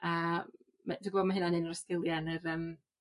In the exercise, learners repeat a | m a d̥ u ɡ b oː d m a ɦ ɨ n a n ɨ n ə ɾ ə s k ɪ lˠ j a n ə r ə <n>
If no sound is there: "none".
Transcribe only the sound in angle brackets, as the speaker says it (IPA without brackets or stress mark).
m